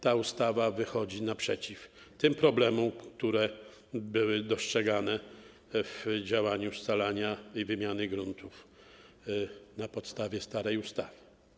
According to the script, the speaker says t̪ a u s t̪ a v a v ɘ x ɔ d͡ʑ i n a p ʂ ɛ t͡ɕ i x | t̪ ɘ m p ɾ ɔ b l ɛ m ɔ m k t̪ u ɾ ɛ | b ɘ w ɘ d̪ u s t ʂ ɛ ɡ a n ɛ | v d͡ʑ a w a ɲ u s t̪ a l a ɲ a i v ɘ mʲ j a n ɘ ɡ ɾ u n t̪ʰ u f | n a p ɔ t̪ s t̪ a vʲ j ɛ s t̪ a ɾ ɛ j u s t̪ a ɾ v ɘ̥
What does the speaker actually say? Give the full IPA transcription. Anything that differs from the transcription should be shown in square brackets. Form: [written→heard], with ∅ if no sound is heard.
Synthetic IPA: t̪ a u s t̪ a v a v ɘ x ɔ d͡ʑ i n a p ʂ ɛ t͡ɕ i [x→f] | t̪ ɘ m p ɾ ɔ b l ɛ m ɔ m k t̪ u ɾ ɛ | b ɘ w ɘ d̪ [u→ɔ] s t ʂ ɛ ɡ a n ɛ | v d͡ʑ a w a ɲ u s t̪ a l a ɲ a i v ɘ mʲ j a n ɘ ɡ ɾ u n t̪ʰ u f | n a p ɔ t̪ s t̪ a vʲ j ɛ s t̪ a ɾ ɛ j u s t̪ a [ɾ→∅] v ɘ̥